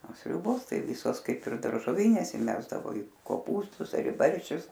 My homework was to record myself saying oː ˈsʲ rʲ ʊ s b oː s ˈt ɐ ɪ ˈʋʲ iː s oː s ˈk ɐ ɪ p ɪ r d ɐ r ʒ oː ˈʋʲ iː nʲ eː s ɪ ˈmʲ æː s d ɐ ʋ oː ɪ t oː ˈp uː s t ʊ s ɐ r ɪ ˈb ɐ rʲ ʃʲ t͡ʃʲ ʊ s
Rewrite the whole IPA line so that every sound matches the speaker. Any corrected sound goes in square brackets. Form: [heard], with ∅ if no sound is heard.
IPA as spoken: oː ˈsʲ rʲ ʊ [∅] b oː s ˈt ɐ ɪ ˈʋʲ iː s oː s ˈk ɐ ɪ p ɪ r d ɐ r ʒ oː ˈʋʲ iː nʲ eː s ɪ ˈmʲ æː [z] d ɐ ʋ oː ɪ [k] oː ˈp uː s t ʊ s ɐ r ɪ ˈb ɐ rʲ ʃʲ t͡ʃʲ ʊ s